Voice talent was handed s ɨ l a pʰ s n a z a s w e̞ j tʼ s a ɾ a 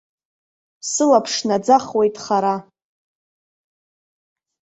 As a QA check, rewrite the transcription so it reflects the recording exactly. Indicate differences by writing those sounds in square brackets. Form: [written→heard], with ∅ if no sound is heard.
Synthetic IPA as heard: s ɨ l a pʰ [s→ʂ] n a [z→d͡z] a [s→χ] w e̞ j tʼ [s→χ] a ɾ a